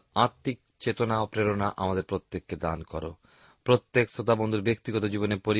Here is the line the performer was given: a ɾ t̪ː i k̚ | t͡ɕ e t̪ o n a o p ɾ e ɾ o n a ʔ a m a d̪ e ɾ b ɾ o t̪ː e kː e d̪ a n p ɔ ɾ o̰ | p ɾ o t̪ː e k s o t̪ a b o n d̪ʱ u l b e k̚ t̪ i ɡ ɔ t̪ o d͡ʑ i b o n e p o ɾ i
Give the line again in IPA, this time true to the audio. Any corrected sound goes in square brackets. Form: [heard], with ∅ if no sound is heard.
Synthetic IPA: a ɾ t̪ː i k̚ | t͡ɕ e t̪ o n a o p ɾ e ɾ o n a ʔ a m a d̪ e ɾ [p] ɾ o t̪ː e kː e d̪ a n [k] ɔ ɾ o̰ | p ɾ o t̪ː e k s o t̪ a b o n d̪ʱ u [ɾ] b e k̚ t̪ i ɡ ɔ t̪ o d͡ʑ i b o n e p o ɾ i